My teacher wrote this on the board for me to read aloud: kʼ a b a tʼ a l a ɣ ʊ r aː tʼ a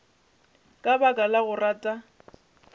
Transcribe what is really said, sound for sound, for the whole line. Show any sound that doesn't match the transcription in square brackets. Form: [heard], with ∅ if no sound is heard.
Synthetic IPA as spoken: kʼ a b a [kʼ] a l a ɣ ʊ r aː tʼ a